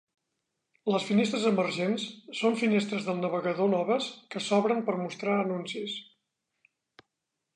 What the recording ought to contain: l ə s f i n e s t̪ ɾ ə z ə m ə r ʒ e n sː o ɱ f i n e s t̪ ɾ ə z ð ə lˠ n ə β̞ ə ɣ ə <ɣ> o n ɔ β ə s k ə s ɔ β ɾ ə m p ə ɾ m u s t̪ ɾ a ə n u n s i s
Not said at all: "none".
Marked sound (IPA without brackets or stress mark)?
ð